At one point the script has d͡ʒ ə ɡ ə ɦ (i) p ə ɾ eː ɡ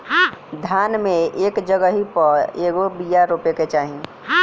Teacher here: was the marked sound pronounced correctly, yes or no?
yes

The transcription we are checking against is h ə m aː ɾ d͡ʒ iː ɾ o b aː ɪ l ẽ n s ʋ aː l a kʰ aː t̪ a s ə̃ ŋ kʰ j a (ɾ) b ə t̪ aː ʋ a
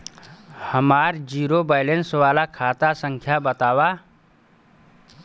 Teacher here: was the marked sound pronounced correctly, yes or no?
no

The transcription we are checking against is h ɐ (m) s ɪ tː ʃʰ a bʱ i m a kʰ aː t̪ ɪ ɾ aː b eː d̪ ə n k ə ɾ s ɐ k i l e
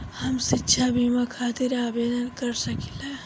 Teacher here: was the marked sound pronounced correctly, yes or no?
yes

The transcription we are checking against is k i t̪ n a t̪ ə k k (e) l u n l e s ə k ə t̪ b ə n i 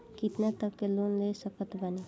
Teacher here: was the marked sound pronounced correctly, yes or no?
yes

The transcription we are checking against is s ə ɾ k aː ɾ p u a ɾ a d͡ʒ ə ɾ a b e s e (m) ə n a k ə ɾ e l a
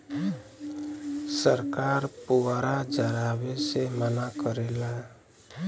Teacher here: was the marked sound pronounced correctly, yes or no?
yes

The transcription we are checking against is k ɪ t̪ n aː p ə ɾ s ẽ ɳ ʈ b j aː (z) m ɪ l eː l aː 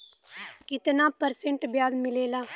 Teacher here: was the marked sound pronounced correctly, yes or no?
yes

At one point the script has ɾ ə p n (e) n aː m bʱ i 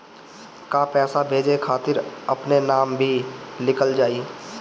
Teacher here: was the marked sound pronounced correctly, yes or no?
yes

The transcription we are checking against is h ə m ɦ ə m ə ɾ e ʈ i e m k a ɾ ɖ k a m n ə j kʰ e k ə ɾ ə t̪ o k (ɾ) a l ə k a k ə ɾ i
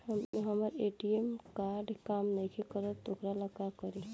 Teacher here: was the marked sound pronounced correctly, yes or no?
yes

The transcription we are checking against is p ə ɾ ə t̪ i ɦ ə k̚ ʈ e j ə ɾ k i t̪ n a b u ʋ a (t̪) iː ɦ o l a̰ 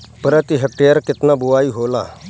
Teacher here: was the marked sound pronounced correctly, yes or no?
no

